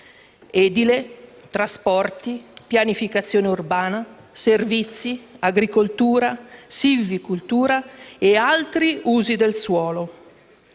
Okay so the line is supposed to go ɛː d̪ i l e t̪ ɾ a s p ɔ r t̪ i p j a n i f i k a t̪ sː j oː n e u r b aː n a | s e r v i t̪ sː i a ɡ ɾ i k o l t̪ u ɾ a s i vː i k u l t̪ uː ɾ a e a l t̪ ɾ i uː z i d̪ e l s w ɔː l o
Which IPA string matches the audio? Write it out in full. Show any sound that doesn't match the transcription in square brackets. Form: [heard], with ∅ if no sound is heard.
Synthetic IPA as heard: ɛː d̪ i l e t̪ ɾ a s p ɔ r t̪ i p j a n i f i k a t̪ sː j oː n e u r b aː n a | s e r v i t̪ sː i a ɡ ɾ i k o l t̪ [uː] ɾ a s i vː i k u l t̪ uː ɾ a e a l t̪ ɾ i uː z i d̪ e l s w ɔː l o